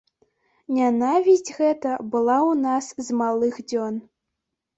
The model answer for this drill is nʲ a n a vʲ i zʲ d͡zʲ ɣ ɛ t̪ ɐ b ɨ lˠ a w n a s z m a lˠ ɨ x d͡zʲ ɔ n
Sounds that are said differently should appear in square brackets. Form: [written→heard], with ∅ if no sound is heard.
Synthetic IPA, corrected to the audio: nʲ a n a vʲ i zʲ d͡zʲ ɣ ɛ t̪ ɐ b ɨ lˠ a w n a s z m a lˠ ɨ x d͡zʲ ɔ n